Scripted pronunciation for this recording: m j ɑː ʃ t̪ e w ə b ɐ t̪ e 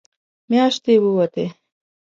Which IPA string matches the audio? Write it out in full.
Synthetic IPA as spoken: m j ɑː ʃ t̪ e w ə w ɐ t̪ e